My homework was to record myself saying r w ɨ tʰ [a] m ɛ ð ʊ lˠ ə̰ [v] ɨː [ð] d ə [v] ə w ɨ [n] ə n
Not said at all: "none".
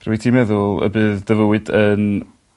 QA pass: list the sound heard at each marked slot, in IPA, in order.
i, b, ð, v, d

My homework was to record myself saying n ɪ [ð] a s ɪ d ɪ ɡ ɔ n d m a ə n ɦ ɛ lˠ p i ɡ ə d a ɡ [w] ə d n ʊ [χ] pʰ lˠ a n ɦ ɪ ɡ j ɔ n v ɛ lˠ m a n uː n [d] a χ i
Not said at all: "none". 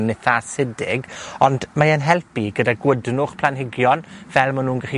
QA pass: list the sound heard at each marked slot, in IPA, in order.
θ, w, χ, ɡ

